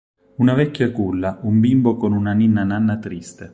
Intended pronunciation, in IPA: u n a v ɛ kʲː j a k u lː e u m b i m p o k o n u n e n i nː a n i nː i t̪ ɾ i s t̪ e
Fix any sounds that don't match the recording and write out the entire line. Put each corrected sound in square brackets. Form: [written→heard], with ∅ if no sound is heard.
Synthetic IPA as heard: u n a v ɛ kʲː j a k u lː [e→a] u m b i m [p→b] o k o n u n [e→a] n i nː a n [i→a] nː [i→a] t̪ ɾ i s t̪ e

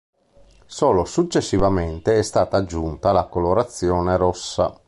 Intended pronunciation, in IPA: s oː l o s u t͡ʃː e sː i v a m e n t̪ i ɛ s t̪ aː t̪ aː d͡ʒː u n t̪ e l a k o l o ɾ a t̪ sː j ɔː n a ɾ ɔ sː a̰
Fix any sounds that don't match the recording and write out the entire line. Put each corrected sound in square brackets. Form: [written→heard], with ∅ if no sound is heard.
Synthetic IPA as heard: s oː l o s u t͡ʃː e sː i v a m e n t̪ [i→e] ɛ s t̪ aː t̪ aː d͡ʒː u n t̪ [e→a] l a k o l o ɾ a t̪ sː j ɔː n [a→e] ɾ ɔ sː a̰

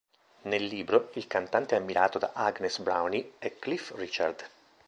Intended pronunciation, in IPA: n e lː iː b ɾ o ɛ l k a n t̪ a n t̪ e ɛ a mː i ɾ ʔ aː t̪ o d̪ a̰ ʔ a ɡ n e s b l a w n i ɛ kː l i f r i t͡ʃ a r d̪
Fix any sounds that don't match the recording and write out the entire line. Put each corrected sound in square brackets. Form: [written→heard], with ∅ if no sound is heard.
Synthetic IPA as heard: n e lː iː b ɾ o [ɛ→i] l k a n t̪ a n t̪ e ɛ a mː i ɾ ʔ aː t̪ o d̪ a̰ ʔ a ɡ n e s b [l→ɾ] a w n i ɛ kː l i f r i t͡ʃ a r d̪

